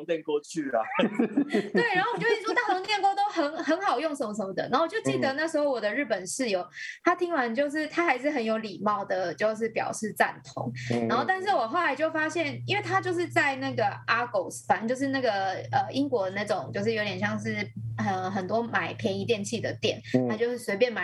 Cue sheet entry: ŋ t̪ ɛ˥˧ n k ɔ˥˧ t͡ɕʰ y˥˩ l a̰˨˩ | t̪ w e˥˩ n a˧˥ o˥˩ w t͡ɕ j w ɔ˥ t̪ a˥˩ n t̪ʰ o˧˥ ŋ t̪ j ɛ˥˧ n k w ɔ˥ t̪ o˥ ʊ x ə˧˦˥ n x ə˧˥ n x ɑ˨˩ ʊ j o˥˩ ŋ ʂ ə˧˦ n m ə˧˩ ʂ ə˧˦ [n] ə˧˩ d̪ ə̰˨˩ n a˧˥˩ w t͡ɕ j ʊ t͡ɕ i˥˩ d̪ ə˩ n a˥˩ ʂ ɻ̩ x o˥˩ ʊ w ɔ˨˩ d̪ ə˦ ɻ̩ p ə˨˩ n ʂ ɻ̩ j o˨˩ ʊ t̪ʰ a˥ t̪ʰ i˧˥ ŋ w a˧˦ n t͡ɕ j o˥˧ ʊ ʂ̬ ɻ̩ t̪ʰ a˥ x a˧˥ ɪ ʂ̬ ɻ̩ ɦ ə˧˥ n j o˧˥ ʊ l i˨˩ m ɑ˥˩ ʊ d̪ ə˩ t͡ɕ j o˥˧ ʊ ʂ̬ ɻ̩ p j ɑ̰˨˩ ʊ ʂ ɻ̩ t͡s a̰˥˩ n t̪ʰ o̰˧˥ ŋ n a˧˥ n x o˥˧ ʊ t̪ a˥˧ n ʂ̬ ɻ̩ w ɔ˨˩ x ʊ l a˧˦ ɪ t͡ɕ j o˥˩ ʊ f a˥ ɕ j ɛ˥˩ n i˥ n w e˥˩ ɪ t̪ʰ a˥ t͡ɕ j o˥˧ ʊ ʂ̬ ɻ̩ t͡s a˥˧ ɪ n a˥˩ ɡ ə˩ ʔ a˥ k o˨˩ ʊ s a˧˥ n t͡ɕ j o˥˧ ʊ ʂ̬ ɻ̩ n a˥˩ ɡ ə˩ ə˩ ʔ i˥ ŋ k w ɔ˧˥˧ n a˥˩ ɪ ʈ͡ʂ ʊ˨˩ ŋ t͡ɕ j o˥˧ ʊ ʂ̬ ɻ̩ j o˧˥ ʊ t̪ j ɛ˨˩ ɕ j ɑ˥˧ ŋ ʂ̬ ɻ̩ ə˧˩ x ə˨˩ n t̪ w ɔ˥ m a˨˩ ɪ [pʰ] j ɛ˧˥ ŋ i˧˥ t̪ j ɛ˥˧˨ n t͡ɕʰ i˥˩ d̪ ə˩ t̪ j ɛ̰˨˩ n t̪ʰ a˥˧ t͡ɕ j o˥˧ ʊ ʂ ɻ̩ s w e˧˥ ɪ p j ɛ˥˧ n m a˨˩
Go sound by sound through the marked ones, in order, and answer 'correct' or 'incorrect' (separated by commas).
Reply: incorrect, correct